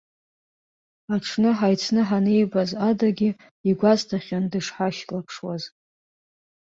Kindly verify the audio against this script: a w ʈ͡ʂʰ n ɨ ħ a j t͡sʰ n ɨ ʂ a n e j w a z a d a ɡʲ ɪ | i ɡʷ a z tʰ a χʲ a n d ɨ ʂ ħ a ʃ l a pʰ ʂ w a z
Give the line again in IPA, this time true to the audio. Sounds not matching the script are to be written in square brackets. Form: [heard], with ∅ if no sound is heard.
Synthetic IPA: a [∅] ʈ͡ʂʰ n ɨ ħ a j t͡sʰ n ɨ [ħ] a n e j [b] a z a d a ɡʲ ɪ | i ɡʷ a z tʰ a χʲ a n d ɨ ʂ ħ a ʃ l a pʰ ʂ w a z